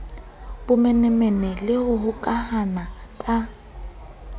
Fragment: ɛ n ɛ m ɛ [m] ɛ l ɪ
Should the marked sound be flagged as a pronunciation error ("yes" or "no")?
yes